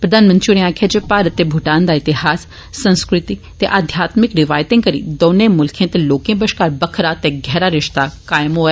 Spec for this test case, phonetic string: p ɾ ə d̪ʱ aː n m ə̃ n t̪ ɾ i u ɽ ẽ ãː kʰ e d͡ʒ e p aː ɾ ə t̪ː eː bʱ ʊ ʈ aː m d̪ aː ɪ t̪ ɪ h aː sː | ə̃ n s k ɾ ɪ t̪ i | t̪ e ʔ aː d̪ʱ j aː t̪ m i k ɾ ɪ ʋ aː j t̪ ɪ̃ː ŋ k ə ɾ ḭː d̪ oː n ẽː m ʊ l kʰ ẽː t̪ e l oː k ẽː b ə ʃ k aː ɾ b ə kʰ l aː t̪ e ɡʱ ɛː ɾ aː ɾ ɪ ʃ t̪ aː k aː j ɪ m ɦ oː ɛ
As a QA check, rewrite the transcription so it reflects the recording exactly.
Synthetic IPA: p ɾ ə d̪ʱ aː n m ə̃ n t̪ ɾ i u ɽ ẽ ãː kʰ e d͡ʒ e p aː ɾ ə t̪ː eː bʱ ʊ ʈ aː n d̪ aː ɪ t̪ ɪ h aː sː | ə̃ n s k ɾ ɪ t̪ i | t̪ e ʔ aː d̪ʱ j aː t̪ m ɪ k ɾ ɪ ʋ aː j t̪ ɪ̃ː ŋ k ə ɾ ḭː d̪ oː n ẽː m ʊ l kʰ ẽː t̪ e l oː k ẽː b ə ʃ k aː ɾ b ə kʰ ɾ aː t̪ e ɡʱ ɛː ɾ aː ɾ ɪ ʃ t̪ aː k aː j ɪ m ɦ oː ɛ